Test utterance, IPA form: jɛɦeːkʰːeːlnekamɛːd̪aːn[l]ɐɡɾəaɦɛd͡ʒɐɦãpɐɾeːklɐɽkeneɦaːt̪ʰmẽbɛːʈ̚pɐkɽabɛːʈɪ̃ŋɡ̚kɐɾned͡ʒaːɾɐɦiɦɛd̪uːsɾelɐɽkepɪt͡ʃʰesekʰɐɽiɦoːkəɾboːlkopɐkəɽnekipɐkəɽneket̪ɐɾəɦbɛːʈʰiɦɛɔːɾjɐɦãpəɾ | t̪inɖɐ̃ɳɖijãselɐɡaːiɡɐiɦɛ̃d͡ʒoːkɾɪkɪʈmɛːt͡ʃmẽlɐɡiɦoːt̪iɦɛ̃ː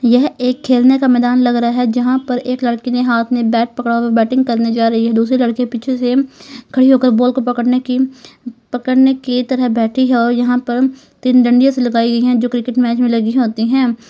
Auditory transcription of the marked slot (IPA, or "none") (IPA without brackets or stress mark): l